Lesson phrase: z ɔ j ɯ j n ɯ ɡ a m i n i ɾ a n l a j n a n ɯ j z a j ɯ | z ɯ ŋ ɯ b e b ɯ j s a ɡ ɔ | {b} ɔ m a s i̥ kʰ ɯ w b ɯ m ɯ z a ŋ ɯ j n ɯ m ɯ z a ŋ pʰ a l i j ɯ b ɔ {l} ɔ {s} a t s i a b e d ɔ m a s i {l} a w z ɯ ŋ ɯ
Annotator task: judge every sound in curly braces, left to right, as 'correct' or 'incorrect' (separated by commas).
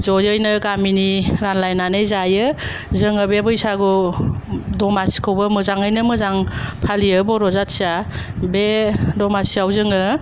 incorrect, incorrect, incorrect, incorrect